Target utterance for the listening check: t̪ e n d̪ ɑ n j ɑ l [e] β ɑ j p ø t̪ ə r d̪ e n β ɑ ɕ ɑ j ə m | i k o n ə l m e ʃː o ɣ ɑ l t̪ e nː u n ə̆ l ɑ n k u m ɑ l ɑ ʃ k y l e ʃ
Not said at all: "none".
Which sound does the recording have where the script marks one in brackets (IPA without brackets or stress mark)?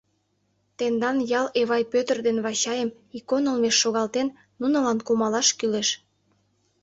e